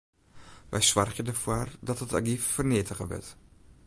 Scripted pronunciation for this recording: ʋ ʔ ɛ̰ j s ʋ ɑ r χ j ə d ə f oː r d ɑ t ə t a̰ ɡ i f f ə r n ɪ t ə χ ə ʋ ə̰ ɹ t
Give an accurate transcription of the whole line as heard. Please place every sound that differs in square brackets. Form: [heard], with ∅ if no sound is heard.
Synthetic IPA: ʋ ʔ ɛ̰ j s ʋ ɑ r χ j ə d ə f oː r d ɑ t ə t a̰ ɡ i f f ə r n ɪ t ə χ ə ʋ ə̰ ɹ t